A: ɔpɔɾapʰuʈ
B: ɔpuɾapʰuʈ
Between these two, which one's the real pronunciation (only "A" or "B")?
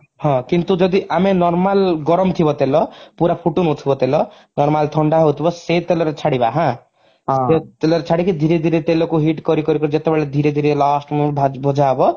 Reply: B